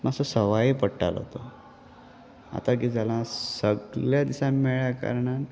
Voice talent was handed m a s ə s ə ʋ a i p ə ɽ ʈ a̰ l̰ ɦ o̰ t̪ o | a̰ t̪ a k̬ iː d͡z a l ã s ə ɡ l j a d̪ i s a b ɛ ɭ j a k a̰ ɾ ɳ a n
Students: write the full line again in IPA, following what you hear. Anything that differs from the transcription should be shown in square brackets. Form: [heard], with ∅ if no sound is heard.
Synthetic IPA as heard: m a s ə s ə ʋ a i p ə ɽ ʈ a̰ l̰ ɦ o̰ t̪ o | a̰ t̪ a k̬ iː d͡z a l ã s ə ɡ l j a d̪ i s a [m] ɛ ɭ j a k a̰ ɾ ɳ a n